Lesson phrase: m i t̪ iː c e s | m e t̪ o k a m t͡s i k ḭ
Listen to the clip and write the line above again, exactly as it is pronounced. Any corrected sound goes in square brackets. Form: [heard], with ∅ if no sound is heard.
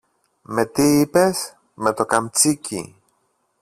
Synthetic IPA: m [e] t̪ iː [p] e s | m e t̪ o k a m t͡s i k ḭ